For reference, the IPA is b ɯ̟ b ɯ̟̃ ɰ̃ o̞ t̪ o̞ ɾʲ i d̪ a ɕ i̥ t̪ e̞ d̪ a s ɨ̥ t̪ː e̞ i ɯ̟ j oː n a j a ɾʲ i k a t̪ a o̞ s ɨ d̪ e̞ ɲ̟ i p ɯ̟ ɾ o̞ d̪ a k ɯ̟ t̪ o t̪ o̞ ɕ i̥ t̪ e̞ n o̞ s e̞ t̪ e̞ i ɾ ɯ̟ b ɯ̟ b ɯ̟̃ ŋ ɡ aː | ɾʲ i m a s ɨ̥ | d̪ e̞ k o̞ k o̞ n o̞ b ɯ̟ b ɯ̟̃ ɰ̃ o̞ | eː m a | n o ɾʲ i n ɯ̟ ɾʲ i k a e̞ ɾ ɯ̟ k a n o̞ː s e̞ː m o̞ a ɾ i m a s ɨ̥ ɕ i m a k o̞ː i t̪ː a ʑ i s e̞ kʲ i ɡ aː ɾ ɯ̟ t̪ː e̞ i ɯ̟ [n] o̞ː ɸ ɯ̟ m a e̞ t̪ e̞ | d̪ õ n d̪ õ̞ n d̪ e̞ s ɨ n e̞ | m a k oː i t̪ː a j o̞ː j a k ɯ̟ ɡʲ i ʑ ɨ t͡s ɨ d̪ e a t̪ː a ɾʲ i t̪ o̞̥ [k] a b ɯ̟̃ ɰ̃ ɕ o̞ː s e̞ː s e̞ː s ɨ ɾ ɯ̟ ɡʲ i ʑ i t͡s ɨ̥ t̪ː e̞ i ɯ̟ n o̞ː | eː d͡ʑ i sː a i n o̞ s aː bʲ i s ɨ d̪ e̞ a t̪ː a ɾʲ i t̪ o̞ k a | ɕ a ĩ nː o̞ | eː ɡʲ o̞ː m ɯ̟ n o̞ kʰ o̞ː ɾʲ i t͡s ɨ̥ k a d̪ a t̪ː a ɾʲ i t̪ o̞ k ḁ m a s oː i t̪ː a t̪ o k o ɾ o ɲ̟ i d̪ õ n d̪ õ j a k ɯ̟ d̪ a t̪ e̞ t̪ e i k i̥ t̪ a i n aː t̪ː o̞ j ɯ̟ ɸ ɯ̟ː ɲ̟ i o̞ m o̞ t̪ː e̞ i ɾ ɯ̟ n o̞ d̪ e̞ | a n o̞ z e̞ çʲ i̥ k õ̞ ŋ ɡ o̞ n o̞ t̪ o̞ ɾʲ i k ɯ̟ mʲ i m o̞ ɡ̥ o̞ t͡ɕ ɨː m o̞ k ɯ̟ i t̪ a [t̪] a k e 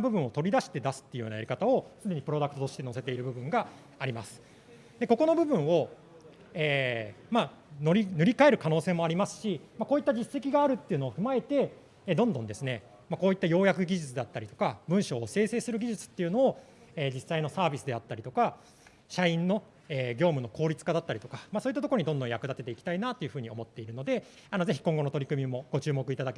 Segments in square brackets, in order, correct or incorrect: correct, correct, incorrect: d̪

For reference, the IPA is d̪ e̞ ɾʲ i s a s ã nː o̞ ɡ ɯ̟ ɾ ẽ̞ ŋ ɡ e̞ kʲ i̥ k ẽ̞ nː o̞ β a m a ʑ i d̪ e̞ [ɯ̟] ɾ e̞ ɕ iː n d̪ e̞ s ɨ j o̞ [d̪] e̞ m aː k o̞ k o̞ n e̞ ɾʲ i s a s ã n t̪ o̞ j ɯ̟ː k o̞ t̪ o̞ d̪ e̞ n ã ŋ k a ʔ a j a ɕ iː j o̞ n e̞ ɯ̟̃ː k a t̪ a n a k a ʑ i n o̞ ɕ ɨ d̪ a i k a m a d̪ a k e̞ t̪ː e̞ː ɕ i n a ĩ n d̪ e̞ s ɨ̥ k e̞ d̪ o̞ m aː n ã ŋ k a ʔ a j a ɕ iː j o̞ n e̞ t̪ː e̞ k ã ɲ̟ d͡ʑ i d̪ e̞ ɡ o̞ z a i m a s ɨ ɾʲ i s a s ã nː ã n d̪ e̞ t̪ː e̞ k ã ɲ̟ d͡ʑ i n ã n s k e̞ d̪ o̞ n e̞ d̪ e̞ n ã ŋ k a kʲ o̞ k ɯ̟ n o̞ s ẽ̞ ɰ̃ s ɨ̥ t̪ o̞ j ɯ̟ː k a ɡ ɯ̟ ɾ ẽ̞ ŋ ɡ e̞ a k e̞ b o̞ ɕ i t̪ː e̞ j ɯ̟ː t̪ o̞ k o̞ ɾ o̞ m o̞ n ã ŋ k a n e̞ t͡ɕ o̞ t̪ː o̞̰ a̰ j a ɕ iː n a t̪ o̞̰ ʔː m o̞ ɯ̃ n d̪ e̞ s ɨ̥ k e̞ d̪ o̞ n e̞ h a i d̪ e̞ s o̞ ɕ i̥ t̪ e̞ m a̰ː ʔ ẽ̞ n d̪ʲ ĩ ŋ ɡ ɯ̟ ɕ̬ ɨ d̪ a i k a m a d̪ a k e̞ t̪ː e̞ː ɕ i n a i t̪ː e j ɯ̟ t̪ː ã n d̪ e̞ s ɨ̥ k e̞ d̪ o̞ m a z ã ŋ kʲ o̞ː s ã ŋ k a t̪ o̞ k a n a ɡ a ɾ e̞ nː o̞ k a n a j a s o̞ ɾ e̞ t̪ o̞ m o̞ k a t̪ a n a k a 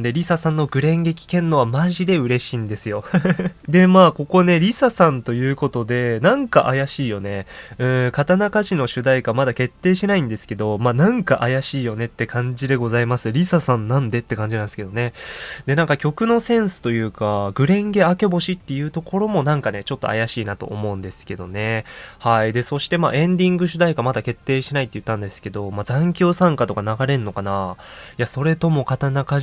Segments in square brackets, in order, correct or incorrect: correct, correct

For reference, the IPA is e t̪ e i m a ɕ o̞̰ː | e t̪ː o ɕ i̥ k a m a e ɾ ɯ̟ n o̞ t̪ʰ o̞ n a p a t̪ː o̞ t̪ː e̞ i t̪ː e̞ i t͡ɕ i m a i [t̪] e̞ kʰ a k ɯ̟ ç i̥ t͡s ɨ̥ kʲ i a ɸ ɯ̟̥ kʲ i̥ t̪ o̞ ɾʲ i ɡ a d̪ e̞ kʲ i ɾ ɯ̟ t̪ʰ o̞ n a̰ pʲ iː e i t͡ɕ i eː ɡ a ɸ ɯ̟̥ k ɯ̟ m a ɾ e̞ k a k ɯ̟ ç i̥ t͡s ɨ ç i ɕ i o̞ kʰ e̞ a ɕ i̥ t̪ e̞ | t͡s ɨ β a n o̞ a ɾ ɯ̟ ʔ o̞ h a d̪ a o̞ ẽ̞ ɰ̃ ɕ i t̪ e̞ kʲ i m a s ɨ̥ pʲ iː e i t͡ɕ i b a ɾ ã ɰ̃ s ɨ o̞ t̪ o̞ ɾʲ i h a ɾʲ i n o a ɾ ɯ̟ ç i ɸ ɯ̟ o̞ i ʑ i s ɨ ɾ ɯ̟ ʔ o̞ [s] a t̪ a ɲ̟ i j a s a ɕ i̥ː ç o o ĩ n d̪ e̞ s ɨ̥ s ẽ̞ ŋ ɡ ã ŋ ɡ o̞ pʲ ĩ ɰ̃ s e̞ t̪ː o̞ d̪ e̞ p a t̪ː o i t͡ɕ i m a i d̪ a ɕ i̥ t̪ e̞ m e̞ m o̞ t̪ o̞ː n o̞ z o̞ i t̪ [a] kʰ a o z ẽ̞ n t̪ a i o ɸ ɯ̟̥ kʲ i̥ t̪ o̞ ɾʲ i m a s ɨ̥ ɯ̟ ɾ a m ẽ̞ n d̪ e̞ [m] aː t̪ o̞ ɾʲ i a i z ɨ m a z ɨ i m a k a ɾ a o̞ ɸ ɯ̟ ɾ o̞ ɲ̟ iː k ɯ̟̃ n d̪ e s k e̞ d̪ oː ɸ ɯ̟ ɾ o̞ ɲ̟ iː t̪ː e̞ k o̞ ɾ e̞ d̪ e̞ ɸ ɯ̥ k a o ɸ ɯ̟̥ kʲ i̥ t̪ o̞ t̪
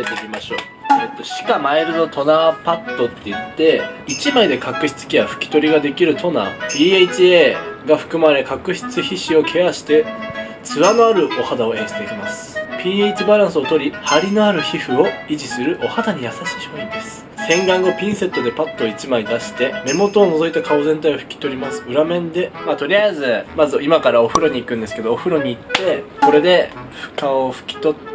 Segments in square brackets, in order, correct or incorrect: incorrect: d̪, incorrect: h, correct, correct

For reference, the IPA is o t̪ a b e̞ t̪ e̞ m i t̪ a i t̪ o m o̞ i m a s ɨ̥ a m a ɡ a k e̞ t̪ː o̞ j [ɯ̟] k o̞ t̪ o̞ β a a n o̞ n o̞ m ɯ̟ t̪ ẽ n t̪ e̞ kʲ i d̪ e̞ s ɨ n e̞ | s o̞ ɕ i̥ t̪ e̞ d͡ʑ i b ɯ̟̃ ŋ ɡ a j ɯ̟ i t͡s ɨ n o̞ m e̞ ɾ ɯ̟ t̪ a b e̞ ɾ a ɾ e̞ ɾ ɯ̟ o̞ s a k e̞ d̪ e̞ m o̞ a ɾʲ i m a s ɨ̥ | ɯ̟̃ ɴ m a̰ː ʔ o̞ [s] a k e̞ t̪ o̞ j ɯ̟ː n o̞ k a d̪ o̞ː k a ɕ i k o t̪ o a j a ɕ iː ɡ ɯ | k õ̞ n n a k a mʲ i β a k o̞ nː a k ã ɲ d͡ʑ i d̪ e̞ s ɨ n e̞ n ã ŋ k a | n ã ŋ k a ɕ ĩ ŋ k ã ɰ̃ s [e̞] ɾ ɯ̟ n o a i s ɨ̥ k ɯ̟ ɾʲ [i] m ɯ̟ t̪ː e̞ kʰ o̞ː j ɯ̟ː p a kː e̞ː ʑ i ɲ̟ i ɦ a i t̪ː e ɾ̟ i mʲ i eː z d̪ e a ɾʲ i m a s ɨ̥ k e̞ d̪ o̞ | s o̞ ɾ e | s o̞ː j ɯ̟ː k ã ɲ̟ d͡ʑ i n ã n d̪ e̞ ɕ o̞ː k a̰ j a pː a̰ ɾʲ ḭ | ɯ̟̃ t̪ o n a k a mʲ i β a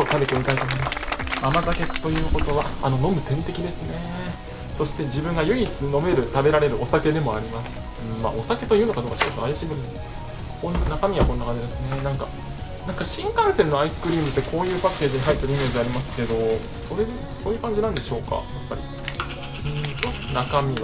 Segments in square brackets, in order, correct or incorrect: incorrect: ɯ̟ː, correct, correct, incorrect: iː

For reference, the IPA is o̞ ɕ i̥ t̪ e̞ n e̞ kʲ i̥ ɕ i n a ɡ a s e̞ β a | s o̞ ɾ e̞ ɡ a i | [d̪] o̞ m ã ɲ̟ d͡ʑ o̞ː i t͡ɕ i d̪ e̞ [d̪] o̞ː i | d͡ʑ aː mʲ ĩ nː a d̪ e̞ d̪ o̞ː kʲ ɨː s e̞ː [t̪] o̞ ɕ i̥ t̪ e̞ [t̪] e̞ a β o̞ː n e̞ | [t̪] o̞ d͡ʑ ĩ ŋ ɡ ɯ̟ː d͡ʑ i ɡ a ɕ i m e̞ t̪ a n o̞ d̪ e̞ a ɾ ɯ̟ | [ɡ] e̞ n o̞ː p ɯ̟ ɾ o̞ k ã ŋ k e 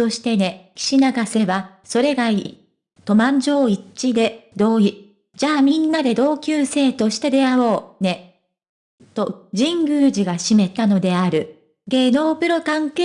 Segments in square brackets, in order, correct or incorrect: incorrect: t̪, correct, correct, incorrect: d̪, correct, correct

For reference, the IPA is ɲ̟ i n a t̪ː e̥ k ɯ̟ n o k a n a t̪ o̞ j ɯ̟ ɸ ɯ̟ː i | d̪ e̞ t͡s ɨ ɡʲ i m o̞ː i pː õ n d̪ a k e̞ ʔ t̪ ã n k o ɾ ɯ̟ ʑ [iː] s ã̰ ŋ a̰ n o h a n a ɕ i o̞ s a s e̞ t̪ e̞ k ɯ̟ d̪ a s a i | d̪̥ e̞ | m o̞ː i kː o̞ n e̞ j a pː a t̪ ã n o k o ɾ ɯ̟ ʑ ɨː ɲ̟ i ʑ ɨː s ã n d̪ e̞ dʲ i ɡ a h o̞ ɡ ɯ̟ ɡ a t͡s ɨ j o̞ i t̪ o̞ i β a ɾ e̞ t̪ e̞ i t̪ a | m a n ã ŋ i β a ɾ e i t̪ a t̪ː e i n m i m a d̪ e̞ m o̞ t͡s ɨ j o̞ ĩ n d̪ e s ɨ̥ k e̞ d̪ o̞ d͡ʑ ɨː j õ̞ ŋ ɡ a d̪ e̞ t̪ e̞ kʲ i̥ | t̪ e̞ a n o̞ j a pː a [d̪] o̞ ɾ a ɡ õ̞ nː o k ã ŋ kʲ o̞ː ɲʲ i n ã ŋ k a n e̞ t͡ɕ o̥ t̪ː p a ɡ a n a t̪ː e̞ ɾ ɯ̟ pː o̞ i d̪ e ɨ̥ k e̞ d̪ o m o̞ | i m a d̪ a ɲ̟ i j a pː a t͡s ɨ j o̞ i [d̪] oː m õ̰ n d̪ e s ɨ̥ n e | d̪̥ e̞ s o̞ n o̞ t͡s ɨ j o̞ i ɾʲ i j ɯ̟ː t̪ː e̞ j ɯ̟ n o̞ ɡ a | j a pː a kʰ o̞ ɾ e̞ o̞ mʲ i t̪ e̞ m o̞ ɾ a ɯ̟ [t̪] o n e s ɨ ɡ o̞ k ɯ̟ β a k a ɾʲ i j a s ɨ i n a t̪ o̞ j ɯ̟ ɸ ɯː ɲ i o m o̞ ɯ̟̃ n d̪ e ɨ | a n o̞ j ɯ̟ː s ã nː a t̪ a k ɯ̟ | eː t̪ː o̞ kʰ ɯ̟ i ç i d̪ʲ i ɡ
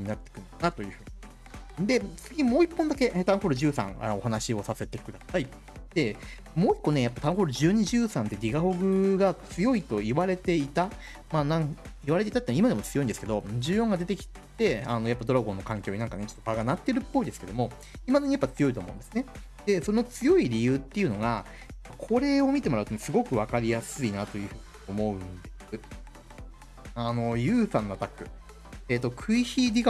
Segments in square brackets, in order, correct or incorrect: incorrect: ɨː, correct, incorrect: t̪, correct

